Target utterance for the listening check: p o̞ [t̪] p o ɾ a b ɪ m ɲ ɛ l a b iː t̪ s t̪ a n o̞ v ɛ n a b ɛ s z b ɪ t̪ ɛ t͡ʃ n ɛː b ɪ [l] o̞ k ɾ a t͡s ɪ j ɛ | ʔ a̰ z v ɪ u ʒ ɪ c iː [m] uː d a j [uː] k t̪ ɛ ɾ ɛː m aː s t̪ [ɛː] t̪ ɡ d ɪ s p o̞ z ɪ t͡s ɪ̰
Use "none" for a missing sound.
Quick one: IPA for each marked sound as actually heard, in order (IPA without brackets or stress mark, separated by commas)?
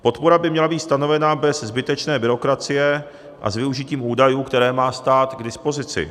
t̪, ɾ, m, uː, aː